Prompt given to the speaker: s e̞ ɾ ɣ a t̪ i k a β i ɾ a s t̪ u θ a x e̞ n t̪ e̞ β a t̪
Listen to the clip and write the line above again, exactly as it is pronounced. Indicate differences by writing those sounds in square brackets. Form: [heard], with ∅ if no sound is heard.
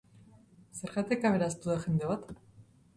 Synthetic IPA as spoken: s e̞ ɾ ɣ a t̪ [e] k a β [e] ɾ a s t̪ u [ð] a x e̞ n [d̪] e̞ β a t̪